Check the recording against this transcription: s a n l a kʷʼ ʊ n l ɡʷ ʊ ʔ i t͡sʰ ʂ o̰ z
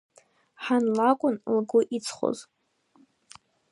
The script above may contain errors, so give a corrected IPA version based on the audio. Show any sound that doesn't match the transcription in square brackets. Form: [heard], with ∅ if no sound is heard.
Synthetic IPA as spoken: [ħ] a n l a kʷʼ ʊ n l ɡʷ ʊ ʔ i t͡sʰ [χ] o̰ z